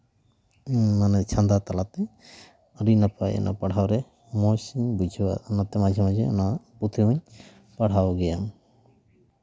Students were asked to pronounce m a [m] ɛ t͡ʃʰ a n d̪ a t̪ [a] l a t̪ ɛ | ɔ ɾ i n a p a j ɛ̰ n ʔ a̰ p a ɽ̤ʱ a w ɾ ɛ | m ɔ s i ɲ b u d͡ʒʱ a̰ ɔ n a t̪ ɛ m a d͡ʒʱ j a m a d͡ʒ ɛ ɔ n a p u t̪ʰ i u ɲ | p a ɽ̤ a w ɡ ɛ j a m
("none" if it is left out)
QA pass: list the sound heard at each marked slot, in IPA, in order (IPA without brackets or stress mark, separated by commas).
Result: n, a